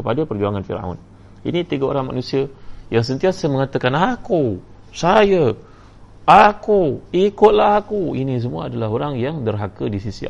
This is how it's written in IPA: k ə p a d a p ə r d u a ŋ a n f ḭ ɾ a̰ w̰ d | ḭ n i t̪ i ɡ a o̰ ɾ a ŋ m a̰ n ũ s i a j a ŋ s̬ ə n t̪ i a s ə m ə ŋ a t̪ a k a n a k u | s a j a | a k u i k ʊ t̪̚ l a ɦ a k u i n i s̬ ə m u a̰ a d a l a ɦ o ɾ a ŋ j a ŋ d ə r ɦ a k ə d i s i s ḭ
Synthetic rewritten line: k ə p a d a p ə r d͡ʒ u a ŋ a n f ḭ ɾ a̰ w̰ n | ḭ n i t̪ i ɡ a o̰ ɾ a ŋ m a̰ n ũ s i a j a ŋ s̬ ə n t̪ i a s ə m ə ŋ a t̪ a k a n a k u | s a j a | a k u i k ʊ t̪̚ l a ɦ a k u i n i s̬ ə m u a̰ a d a l a ɦ o ɾ a ŋ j a ŋ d ə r ɦ a k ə d i s i s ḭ